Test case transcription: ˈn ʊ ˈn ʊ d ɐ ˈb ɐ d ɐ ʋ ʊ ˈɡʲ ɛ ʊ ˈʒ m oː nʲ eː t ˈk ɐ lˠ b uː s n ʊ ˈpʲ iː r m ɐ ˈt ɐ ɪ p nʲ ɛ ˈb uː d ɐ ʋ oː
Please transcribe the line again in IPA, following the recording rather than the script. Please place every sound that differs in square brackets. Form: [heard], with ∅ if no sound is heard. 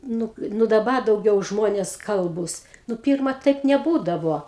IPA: ˈn ʊ ˈn ʊ d ɐ ˈb ɐ d ɐ [∅] ʊ ˈɡʲ ɛ ʊ ˈʒ m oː nʲ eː [s] ˈk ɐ lˠ b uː s n ʊ ˈpʲ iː r m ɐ ˈt ɐ ɪ p nʲ ɛ ˈb uː d ɐ ʋ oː